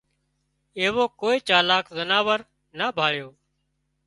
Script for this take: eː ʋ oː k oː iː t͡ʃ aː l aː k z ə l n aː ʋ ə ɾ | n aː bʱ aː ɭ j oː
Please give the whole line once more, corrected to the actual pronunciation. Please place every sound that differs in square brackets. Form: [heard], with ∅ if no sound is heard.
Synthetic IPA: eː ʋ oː k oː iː t͡ʃ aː l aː k z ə [∅] n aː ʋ ə ɾ | n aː bʱ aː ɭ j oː